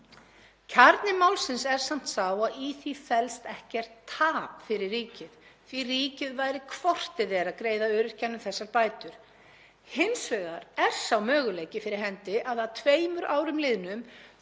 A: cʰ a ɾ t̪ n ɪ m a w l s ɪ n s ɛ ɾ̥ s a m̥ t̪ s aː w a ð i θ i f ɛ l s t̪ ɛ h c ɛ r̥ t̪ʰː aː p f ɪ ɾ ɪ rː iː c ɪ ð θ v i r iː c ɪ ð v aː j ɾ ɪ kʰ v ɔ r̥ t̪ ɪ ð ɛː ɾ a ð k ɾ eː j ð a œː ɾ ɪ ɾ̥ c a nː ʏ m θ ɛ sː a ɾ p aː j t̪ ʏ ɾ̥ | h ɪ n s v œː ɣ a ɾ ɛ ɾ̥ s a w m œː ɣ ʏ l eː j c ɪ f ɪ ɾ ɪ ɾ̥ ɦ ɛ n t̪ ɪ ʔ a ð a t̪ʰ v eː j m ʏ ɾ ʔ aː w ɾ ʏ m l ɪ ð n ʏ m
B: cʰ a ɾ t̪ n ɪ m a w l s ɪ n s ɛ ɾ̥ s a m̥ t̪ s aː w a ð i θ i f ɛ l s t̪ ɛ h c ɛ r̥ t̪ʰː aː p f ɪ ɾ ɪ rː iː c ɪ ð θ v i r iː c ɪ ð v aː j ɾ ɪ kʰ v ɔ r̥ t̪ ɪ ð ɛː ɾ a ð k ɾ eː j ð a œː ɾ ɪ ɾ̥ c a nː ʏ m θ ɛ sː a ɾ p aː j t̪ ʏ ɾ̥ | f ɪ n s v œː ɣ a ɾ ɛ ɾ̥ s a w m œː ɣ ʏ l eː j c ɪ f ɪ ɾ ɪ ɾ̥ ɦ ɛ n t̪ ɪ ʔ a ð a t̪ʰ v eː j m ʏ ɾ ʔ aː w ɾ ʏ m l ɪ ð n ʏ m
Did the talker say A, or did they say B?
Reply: A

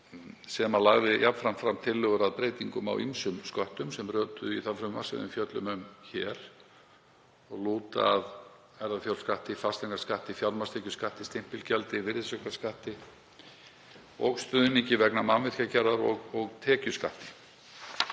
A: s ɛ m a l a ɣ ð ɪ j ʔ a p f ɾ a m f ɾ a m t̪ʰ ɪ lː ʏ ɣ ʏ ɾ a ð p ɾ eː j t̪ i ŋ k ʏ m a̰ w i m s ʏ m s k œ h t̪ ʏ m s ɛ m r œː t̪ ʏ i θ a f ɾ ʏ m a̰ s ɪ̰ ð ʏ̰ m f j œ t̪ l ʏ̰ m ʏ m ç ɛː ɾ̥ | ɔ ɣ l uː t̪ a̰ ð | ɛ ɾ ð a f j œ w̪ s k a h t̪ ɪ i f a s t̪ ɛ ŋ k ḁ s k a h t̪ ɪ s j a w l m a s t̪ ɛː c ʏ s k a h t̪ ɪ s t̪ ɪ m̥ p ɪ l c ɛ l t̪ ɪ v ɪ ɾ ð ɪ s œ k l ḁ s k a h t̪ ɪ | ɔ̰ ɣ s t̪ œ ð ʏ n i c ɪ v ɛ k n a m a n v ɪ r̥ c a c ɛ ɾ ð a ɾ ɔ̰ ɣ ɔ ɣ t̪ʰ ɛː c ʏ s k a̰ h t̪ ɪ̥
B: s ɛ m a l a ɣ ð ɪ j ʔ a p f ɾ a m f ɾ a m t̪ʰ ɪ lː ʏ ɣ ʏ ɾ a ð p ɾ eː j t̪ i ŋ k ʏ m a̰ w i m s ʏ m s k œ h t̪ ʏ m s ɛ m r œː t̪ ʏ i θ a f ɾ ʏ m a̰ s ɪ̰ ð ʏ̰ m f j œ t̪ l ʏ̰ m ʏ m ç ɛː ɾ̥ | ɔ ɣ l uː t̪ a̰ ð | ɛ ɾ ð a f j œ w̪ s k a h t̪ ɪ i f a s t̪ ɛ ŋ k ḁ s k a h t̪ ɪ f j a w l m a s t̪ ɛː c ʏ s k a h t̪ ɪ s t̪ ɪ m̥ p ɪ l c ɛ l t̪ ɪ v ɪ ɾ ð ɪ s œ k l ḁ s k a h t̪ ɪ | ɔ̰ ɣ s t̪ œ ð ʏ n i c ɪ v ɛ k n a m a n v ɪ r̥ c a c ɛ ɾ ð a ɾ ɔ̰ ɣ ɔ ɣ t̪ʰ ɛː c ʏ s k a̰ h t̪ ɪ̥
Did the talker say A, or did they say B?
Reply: B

